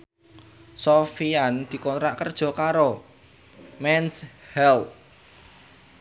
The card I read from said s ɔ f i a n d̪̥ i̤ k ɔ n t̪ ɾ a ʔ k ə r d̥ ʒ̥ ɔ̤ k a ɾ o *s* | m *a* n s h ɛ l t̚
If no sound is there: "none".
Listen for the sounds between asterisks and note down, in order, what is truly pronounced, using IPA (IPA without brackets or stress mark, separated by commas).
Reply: none, ɛ